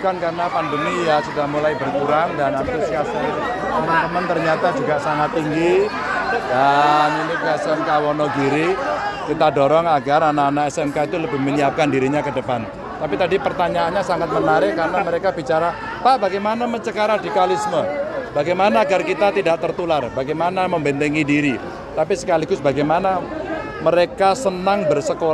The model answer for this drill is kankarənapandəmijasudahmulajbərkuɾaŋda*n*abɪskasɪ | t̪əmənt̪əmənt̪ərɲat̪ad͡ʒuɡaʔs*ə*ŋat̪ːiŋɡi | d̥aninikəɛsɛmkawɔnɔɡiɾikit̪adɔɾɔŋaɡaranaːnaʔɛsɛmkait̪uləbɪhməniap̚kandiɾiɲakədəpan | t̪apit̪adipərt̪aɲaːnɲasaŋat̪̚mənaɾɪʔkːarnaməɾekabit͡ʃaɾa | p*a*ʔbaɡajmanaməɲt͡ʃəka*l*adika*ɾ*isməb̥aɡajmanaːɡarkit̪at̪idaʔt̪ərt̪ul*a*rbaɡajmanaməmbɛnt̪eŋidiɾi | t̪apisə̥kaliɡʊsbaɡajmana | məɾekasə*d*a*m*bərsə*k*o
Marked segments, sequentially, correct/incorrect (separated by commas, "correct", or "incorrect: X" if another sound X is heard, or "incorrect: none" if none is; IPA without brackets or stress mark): correct, incorrect: a, correct, incorrect: ɾ, incorrect: l, correct, incorrect: n, incorrect: ŋ, correct